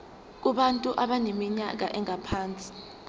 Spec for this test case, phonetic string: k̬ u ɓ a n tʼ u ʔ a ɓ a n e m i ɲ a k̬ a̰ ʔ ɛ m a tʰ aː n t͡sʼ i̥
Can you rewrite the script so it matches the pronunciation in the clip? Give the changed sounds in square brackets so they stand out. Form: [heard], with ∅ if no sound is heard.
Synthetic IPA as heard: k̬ u ɓ a n tʼ u ʔ a ɓ a n e m i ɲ a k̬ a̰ ʔ ɛ [ŋ] a [pʰ] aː n t͡sʼ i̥